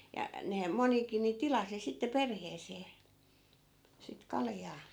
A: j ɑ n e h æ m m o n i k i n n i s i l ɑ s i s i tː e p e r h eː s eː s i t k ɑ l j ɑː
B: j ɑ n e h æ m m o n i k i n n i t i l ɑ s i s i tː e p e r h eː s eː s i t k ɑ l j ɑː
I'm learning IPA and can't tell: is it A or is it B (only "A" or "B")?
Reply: B